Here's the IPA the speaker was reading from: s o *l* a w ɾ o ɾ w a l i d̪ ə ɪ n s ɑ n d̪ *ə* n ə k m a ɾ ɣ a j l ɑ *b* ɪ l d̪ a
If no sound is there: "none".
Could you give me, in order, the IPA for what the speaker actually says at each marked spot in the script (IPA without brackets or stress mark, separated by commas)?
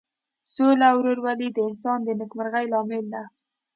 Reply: l, ə, m